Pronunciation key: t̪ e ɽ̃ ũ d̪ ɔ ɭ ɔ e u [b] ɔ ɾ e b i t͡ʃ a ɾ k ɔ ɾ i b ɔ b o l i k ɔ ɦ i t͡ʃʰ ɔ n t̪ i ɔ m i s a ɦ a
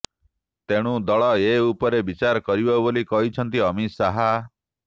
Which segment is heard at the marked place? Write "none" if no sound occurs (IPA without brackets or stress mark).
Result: p